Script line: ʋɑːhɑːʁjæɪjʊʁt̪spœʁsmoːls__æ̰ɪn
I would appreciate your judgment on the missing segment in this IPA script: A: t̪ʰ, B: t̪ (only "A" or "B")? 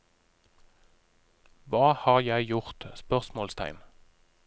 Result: A